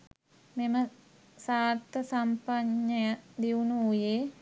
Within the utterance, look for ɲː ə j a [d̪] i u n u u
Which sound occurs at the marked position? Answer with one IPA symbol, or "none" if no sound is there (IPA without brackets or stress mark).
d̪